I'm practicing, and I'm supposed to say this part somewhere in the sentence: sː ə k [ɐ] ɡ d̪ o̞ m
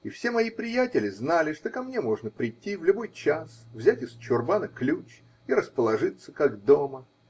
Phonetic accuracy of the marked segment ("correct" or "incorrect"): incorrect